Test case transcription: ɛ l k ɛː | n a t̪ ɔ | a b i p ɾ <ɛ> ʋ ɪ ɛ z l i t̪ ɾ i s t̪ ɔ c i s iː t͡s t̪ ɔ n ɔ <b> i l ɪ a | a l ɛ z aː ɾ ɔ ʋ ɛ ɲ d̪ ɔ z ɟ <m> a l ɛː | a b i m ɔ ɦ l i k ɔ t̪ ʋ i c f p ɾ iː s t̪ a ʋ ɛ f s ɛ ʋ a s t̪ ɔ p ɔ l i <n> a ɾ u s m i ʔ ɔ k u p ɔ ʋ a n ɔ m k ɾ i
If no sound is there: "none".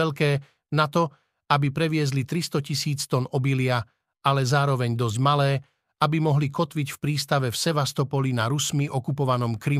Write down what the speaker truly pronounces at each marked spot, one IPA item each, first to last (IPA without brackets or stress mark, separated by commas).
ɛ, b, m, n